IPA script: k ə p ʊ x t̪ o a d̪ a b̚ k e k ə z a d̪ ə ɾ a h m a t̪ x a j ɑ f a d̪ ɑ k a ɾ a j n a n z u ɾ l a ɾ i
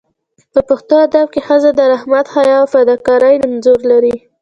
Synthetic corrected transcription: p ə p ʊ x t̪ o a d̪ a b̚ k e x ə z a d̪ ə ɾ a h m a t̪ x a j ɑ f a d̪ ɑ k ɑ ɾ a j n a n z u ɾ l a ɾ i